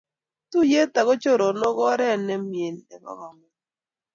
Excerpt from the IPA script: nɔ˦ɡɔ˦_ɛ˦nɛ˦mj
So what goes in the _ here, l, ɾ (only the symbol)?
ɾ